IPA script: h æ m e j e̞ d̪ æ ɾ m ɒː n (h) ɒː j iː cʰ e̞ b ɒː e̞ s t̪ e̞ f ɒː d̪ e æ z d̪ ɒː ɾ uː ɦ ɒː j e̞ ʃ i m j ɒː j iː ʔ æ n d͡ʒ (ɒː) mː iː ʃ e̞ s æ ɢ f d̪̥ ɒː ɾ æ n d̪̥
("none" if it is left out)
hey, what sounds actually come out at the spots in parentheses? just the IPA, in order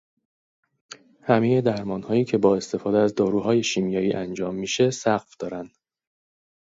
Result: h, ɒː

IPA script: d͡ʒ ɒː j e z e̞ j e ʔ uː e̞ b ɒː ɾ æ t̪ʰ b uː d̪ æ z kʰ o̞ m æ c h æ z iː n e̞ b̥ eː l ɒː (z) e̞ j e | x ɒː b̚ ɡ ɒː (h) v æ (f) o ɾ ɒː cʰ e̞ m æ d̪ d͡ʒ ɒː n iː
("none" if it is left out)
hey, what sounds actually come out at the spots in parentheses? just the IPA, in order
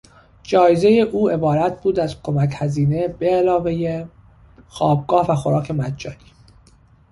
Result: v, h, x

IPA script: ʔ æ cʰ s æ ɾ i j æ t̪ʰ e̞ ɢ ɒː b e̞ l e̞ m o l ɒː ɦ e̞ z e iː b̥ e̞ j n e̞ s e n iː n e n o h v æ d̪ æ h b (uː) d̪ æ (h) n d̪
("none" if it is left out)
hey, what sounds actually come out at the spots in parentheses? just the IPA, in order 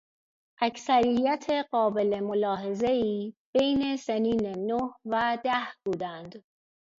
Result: uː, none

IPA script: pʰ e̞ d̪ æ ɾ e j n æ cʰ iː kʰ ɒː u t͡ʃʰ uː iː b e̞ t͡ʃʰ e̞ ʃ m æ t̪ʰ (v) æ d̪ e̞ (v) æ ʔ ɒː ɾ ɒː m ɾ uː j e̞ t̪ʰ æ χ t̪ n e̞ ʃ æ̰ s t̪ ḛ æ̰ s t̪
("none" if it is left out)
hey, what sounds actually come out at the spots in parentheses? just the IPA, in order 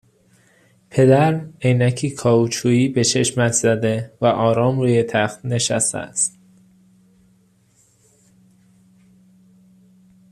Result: z, v

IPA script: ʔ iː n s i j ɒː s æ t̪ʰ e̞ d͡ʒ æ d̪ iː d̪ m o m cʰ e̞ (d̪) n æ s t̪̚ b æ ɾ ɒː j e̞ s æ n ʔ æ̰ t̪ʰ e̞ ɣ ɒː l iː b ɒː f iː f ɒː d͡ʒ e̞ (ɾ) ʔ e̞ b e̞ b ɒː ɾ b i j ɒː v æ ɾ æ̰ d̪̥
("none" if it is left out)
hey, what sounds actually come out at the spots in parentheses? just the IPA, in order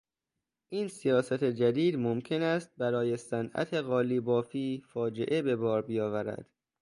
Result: none, none

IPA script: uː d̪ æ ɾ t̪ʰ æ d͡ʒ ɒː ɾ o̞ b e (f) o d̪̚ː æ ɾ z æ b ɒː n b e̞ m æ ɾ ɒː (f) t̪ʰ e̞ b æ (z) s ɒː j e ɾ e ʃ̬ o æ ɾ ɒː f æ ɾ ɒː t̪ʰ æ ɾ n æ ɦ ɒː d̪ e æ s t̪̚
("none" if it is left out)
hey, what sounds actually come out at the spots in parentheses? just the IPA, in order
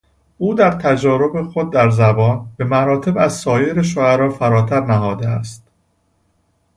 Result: x, none, z

